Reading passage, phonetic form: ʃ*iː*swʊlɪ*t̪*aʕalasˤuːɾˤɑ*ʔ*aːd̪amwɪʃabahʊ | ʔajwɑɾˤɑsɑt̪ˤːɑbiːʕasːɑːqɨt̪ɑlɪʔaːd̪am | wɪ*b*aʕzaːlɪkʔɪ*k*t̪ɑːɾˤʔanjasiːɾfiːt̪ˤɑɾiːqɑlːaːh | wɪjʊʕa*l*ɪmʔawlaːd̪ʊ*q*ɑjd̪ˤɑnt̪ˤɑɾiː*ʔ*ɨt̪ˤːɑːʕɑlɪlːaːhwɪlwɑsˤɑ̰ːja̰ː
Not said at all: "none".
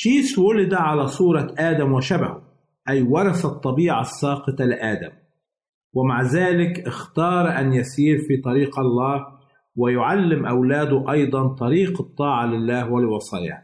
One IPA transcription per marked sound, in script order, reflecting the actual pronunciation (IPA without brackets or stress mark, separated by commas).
iː, d̪, ʔ, m, x, lː, ʔ, q